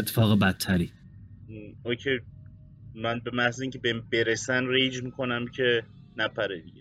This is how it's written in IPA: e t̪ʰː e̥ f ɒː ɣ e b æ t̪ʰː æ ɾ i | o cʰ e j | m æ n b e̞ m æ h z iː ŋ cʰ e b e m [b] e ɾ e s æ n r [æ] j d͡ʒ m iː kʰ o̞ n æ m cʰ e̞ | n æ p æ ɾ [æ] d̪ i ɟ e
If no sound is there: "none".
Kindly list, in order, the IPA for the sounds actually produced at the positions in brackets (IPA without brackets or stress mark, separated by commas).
b, e, e